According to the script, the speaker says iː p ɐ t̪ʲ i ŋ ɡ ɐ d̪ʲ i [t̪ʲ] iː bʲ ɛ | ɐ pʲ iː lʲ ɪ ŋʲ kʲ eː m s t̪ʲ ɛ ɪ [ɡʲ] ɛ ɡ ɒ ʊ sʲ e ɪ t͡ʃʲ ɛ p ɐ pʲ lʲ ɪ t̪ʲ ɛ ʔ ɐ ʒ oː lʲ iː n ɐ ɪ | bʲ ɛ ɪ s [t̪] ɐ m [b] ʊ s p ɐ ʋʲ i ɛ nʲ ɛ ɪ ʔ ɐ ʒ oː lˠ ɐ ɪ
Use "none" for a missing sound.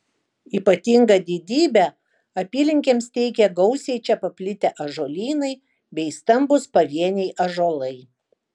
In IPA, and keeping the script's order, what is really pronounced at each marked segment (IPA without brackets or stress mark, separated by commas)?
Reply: d̪ʲ, kʲ, t̪, b